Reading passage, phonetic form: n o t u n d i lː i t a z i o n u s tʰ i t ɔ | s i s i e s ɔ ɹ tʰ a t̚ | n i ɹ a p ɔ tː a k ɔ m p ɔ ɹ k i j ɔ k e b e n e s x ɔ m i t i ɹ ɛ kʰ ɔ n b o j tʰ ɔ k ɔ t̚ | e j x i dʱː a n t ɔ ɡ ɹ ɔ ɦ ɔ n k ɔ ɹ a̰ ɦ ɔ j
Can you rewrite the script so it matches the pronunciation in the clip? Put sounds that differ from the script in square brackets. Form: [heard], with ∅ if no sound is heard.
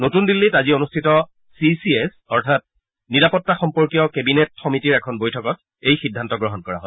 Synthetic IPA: n o t u n d i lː i t a z i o n u s tʰ i t ɔ | s i s i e s ɔ ɹ tʰ a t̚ | n i ɹ a p ɔ tː a [x] ɔ m p ɔ ɹ k i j ɔ k e b [i] n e [t] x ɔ m i t i ɹ ɛ kʰ ɔ n b o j tʰ ɔ k ɔ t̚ | e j x i dʱː a n t ɔ ɡ ɹ ɔ ɦ ɔ n k ɔ ɹ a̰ ɦ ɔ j